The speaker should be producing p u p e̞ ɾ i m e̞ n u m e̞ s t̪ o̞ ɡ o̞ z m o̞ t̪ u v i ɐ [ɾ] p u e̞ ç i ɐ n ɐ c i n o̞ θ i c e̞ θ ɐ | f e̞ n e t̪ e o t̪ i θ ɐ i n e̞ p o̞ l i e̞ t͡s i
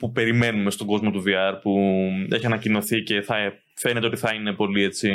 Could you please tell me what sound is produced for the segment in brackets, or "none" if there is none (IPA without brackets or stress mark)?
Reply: ɾ